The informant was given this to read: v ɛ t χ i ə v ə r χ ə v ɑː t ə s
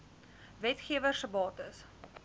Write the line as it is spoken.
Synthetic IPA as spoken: v ɛ t χ i ə v ə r s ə b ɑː t ə s